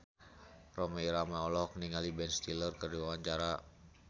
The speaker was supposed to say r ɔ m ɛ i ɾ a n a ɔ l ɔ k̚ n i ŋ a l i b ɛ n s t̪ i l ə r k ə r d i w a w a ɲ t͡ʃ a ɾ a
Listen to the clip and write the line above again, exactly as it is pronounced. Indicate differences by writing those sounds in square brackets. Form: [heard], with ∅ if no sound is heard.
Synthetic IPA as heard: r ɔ m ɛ i ɾ a [m] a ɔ l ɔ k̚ n i ŋ a l i b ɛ n s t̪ i l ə r k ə r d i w a w a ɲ t͡ʃ a ɾ a